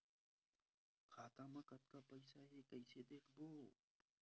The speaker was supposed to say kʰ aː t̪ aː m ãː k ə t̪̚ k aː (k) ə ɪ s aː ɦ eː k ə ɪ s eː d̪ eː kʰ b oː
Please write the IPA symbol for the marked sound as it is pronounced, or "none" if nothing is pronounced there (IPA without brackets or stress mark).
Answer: p